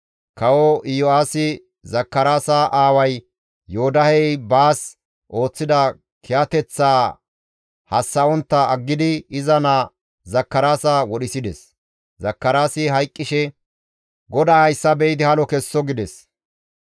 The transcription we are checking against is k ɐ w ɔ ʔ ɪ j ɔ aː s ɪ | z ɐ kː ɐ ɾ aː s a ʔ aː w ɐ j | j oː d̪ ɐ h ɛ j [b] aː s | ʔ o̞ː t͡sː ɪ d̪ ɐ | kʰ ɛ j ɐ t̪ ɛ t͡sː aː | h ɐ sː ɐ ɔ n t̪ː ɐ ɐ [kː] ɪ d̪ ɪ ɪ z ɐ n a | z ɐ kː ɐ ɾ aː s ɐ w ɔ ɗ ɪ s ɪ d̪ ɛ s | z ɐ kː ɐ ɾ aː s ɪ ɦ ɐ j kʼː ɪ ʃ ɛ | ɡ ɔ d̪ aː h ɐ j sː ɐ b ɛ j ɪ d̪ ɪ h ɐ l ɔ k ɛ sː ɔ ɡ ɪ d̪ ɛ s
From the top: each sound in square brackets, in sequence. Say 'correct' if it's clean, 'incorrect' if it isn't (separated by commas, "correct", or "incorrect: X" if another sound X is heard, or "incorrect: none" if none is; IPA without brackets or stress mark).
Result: correct, incorrect: ɡː